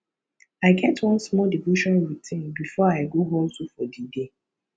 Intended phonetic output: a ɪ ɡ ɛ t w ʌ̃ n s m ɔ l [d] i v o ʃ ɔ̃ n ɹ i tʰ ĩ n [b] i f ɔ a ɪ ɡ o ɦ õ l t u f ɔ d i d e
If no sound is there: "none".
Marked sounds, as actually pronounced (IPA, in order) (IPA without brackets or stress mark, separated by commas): d, b